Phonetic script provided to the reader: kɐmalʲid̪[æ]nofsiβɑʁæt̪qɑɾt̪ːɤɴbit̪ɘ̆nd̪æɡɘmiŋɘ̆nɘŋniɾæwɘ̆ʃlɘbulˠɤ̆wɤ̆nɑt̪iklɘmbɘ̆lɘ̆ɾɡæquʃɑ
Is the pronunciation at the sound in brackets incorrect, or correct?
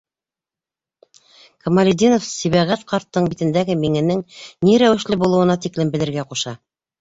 incorrect: i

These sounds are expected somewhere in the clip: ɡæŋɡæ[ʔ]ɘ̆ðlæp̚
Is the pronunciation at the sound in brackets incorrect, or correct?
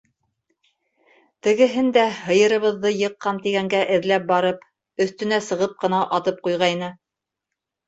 correct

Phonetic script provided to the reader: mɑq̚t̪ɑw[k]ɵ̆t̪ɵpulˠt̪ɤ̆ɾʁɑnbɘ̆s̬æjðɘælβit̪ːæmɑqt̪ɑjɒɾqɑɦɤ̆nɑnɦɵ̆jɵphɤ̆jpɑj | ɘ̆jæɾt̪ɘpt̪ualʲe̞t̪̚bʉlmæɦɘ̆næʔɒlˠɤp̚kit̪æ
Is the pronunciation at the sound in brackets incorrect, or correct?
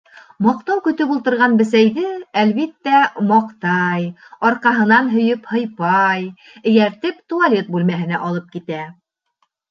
correct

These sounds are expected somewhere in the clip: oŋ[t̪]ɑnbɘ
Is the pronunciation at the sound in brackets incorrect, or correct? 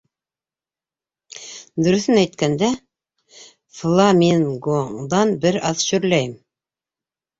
incorrect: d̪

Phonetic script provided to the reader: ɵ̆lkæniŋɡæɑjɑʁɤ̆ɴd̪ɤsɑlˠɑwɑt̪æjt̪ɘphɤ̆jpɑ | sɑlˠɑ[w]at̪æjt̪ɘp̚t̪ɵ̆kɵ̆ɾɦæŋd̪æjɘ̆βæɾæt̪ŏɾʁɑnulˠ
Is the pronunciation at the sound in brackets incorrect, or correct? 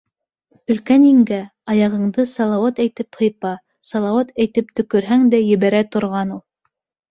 correct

